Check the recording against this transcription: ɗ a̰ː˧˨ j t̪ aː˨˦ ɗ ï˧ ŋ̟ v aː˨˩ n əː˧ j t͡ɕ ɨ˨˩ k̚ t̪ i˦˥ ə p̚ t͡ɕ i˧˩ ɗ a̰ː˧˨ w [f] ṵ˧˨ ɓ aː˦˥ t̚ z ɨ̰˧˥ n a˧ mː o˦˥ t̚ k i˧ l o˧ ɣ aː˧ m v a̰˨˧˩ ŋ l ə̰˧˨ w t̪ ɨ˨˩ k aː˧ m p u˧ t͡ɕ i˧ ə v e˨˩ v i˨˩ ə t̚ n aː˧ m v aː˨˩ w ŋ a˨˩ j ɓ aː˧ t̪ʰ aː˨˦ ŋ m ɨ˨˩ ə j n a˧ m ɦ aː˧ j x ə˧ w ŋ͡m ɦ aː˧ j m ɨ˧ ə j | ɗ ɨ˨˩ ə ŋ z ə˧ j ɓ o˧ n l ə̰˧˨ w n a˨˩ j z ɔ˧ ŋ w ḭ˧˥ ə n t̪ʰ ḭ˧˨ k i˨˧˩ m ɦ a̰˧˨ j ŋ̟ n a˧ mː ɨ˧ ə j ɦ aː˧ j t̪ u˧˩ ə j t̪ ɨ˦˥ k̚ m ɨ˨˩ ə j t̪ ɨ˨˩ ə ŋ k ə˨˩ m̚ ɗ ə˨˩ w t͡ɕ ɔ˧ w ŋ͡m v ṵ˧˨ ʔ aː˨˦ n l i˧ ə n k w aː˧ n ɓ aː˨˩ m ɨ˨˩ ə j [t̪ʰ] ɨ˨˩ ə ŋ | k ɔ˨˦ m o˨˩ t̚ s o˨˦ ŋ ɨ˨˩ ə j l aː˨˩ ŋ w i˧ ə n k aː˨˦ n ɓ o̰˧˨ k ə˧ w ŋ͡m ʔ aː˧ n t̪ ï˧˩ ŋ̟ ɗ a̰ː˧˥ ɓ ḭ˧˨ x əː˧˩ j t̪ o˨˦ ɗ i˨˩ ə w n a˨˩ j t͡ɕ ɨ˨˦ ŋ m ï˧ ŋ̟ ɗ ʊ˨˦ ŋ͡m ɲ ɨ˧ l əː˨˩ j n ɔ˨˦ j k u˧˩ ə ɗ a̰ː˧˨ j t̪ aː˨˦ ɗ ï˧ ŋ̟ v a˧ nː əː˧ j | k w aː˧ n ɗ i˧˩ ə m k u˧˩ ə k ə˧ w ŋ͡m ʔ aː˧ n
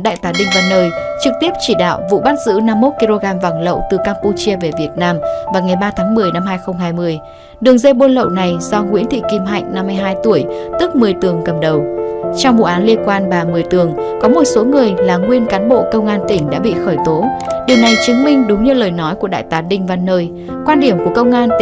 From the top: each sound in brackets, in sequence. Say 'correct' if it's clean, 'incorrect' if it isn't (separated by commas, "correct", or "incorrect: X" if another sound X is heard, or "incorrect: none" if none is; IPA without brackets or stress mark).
incorrect: v, incorrect: t̪